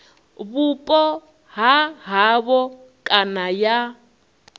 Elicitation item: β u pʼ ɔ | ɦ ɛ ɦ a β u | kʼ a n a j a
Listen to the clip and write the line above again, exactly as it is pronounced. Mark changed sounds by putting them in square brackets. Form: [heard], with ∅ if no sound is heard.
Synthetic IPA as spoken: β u pʼ ɔ | ɦ [a] ɦ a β [ɔ] | kʼ a n a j a